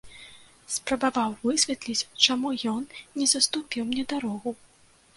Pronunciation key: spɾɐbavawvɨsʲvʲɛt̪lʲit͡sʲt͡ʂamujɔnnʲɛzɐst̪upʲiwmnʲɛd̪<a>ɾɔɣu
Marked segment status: correct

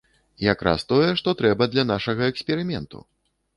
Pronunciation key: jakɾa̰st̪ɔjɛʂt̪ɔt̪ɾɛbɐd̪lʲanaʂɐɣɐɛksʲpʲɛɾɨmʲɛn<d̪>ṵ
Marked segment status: incorrect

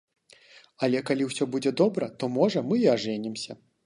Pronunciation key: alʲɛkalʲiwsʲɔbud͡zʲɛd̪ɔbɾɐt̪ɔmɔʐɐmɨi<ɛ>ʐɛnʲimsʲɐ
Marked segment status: incorrect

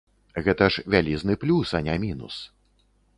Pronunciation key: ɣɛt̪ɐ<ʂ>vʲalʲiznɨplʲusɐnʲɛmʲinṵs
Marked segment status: correct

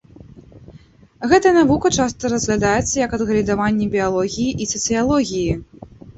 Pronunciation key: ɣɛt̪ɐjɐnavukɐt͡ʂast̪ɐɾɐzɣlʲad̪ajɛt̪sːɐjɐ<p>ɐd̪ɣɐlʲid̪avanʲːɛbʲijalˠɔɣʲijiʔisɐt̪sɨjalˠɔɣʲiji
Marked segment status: incorrect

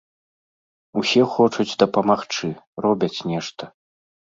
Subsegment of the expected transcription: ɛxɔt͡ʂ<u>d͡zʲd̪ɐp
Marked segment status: correct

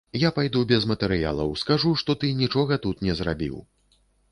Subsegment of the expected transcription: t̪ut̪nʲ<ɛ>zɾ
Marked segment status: correct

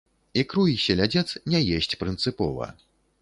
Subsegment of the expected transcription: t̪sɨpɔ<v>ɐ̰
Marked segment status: correct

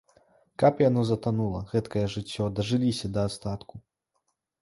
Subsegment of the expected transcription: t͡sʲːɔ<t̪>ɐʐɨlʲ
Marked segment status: incorrect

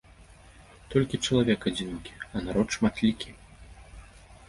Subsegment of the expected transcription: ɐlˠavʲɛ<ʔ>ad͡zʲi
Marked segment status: incorrect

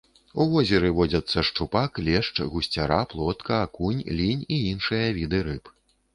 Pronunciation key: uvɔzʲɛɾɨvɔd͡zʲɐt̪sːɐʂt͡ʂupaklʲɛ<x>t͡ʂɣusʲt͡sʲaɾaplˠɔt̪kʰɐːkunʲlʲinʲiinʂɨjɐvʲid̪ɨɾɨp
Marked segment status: incorrect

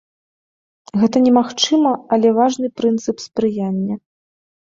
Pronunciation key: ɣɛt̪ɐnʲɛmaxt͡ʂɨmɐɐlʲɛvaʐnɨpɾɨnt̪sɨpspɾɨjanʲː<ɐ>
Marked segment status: correct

